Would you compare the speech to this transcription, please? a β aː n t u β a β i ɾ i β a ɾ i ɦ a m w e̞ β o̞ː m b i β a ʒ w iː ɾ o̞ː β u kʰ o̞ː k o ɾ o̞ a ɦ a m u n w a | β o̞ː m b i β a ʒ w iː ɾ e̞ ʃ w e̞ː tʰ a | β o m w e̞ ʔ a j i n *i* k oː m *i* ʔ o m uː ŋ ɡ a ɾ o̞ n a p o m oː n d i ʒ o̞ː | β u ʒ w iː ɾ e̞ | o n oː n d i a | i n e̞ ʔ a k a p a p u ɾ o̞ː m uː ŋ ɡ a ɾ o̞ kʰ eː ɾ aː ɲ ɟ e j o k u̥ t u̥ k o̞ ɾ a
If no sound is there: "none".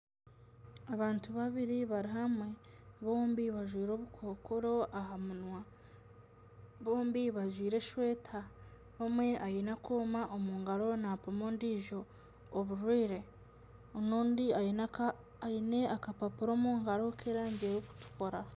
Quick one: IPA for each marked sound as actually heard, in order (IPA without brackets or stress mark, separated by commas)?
a, a